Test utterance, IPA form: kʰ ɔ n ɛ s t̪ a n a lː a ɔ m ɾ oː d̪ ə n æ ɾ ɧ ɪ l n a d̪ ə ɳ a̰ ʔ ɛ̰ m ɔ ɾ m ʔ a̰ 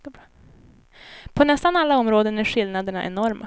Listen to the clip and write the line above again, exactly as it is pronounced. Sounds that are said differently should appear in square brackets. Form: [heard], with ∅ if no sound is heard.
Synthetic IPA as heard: [pʰ] ɔ n ɛ s t̪ a n a lː a ɔ m ɾ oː d̪ ə n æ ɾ ɧ ɪ l n a d̪ ə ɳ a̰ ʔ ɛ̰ [n] ɔ ɾ m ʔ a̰